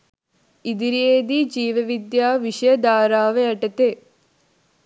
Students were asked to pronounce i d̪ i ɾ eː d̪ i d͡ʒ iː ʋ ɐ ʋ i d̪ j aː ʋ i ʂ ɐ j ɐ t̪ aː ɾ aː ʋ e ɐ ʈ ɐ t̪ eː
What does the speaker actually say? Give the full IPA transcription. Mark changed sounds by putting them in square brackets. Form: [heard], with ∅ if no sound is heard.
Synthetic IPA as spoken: i d̪ i ɾ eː d̪ i d͡ʒ iː ʋ ɐ ʋ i d̪ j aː ʋ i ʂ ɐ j ɐ [d̪] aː ɾ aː ʋ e ɐ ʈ ɐ t̪ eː